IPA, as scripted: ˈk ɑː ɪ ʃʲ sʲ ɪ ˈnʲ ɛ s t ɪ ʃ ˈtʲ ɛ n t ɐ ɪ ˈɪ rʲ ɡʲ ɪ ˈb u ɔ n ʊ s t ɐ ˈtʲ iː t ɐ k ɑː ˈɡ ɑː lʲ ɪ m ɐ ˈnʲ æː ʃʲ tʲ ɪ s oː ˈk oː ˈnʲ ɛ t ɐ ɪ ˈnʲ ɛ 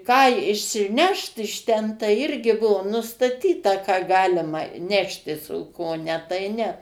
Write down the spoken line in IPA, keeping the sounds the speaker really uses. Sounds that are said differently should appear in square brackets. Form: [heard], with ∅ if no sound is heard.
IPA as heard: ˈk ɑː ɪ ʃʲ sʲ ɪ ˈnʲ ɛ [ʃ] t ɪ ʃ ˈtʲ ɛ n t ɐ ɪ ˈɪ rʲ ɡʲ ɪ ˈb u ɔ n ʊ s t ɐ ˈtʲ iː t ɐ k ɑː ˈɡ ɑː lʲ ɪ m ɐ ˈnʲ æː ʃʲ tʲ ɪ s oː ˈk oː ˈnʲ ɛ t ɐ ɪ ˈnʲ ɛ